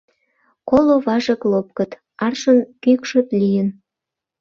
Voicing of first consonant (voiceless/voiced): voiceless